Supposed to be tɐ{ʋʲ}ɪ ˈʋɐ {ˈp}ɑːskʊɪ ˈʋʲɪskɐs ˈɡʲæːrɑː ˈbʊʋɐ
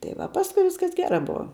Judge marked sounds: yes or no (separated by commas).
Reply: no, yes